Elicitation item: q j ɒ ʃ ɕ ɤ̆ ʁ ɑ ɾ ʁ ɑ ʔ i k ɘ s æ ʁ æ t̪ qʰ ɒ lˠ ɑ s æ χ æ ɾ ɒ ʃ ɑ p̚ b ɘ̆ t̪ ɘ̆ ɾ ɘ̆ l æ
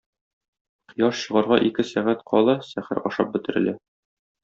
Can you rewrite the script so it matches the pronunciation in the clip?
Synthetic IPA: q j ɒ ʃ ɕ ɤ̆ ʁ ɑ ɾ ʁ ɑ ʔ i k ɘ s æ ʁ æ t̪ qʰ ɒ lˠ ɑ s æ χ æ ɾ ɒ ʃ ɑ p̚ b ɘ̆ t̪ ɘ̆ ɾ ɘ̆ l æ

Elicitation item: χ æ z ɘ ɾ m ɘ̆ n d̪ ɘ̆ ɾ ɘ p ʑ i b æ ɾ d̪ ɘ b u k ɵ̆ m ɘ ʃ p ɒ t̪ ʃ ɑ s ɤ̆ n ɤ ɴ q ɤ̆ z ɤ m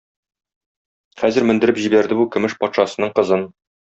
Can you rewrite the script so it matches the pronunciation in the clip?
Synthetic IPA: χ æ z ɘ ɾ m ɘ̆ n d̪ ɘ̆ ɾ ɘ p ʑ i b æ ɾ d̪ ɘ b u k ɵ̆ m ɘ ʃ p ɒ t̪ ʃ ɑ s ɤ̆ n ɤ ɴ q ɤ̆ z ɤ n

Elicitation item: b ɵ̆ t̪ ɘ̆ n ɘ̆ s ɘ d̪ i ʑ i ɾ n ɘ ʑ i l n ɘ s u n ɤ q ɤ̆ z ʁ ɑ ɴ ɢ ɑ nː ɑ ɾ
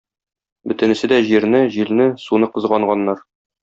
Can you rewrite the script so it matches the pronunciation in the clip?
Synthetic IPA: b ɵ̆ t̪ ɘ̆ n ɘ̆ s ɘ d̪ æ ʑ i ɾ n ɘ ʑ i l n ɘ s u n ɤ q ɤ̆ z ʁ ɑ ɴ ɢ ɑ nː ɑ ɾ

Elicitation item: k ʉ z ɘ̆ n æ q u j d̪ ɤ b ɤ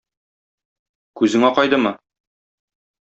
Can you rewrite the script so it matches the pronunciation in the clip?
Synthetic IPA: k ʉ z ɘ̆ ŋ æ q ɒ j d̪ ɤ m ɤ

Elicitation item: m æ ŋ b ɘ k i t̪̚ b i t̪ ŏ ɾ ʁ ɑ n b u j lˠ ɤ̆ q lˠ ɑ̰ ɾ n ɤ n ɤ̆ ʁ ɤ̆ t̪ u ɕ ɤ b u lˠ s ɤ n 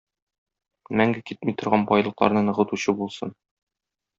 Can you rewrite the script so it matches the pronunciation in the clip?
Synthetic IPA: m æ ŋ ɡ ɘ k i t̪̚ m i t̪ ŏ ɾ ʁ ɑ n b ɒ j lˠ ɤ̆ q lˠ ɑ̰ ɾ n ɤ n ɤ̆ ʁ ɤ̆ t̪ u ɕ ɤ b u lˠ s ɤ n

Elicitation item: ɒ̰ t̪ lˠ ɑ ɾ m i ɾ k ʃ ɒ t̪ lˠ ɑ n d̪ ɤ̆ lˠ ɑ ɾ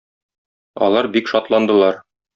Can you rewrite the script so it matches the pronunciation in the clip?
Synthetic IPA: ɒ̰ lˠ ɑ ɾ b i k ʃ ɒ t̪ lˠ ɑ n d̪ ɤ̆ lˠ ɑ ɾ

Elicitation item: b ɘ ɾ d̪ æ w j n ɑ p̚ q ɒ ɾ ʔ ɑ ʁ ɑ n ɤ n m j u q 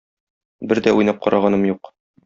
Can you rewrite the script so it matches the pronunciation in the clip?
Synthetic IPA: b ɘ ɾ d̪ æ u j n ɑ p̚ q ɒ ɾ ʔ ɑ ʁ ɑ n ɤ m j u q

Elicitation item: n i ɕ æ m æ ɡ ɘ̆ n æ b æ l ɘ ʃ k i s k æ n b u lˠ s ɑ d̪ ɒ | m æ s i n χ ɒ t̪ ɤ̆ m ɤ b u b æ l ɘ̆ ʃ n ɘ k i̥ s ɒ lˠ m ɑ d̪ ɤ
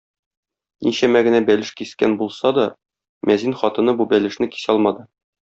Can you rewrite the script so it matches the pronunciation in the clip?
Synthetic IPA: n i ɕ æ m æ ɡ ɘ̆ n æ b æ l ɘ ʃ k i s k æ n b u lˠ s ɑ d̪ ɒ | m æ z i n χ ɒ t̪ ɤ̆ n ɤ b u b æ l ɘ̆ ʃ n ɘ k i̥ s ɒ lˠ m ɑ d̪ ɤ

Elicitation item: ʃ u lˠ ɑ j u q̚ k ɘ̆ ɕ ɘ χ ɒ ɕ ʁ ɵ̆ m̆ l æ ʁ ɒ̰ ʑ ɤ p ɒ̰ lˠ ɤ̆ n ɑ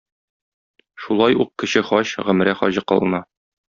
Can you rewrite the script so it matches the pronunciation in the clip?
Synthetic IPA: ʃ u lˠ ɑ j u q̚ k ɘ̆ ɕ ɘ χ ɒ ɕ ʁ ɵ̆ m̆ ɾ æ χ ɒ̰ ʑ ɤ q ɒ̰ lˠ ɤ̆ n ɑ

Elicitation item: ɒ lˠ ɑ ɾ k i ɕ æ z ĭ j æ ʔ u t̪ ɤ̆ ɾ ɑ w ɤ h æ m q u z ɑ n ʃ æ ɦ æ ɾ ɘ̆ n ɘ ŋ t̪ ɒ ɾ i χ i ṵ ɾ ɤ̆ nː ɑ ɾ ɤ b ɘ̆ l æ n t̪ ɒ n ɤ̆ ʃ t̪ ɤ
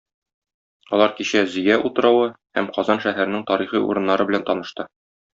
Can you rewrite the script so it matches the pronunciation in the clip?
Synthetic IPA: ɒ lˠ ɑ ɾ k i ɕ æ z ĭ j æ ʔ u t̪ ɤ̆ ɾ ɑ w ɤ h æ m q ɒ z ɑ n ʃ æ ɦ æ ɾ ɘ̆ n ɘ ŋ t̪ ɒ ɾ i χ i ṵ ɾ ɤ̆ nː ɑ ɾ ɤ b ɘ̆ l æ n t̪ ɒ n ɤ̆ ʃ t̪ ɤ

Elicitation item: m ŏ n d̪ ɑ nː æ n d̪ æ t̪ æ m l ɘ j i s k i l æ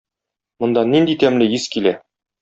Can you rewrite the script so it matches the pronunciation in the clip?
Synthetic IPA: m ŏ n d̪ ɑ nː i n d̪ i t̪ æ m l ɘ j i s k i l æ

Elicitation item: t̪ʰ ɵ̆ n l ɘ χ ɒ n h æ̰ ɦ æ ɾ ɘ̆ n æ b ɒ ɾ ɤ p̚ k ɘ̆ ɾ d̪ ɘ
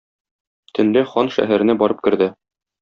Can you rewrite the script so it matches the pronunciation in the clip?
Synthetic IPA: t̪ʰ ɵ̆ n l ɘ χ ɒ n ʃ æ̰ ɦ æ ɾ ɘ̆ n æ b ɒ ɾ ɤ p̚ k ɘ̆ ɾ d̪ ɘ

